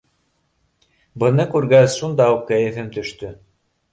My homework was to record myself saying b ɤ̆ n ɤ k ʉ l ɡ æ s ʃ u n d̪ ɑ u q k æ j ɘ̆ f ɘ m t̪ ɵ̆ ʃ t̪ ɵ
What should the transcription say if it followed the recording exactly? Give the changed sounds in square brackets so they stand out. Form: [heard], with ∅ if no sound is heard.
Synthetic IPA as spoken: b ɤ̆ n ɤ k ʉ [ɾ] ɡ æ s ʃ u n d̪ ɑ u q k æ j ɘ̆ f ɘ m t̪ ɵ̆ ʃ t̪ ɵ